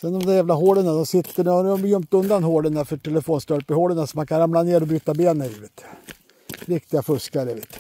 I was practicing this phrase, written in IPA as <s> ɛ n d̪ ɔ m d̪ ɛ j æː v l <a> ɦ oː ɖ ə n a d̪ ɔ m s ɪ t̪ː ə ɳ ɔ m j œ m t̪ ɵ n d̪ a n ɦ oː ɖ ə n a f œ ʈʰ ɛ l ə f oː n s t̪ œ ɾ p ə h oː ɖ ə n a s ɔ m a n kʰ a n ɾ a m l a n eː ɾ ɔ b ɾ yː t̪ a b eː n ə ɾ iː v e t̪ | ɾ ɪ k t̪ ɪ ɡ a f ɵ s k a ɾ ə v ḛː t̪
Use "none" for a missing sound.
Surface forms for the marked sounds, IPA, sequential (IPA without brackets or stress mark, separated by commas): s, a